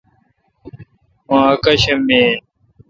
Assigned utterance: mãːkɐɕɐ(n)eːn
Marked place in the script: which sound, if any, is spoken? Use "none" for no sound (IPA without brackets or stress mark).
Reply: m